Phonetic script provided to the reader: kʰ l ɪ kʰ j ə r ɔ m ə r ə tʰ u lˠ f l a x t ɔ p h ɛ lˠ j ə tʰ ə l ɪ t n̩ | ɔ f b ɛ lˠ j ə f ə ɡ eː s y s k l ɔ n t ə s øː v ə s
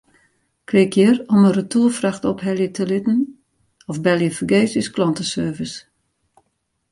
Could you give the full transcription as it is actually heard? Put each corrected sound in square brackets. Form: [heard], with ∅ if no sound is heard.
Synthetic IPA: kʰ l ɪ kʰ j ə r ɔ m ə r ə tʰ u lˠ f [r] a x t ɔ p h ɛ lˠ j ə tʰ ə l ɪ t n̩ | ɔ f b ɛ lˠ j ə f ə ɡ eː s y s k l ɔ n t ə s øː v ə s